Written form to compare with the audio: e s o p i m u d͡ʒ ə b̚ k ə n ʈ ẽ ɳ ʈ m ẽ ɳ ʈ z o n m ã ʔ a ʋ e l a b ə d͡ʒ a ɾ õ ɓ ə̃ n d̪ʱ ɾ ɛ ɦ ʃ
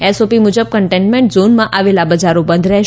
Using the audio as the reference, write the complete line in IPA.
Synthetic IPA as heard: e s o p i m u d͡ʒ ə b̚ k ə ɳ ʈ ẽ ɳ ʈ m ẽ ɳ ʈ z o n m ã ʔ a ʋ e l a b ə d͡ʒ a ɾ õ b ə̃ n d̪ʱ ɾ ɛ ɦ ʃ